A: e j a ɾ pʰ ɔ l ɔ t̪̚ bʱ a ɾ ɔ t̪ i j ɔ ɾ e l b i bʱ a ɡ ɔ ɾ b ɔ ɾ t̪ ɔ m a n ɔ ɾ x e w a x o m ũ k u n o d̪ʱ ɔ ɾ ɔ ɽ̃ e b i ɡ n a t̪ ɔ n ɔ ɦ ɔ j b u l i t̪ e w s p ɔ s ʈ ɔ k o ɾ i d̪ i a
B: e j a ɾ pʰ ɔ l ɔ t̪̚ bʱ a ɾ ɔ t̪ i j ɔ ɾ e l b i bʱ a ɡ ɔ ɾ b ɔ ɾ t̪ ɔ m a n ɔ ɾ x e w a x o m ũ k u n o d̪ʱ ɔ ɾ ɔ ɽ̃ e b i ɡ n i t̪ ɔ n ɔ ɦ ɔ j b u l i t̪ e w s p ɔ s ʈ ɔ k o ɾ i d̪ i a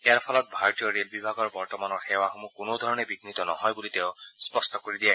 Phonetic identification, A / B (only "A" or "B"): B